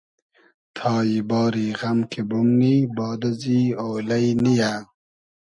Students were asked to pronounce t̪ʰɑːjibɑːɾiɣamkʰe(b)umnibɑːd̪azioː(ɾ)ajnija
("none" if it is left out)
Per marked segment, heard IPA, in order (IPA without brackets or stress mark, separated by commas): b, l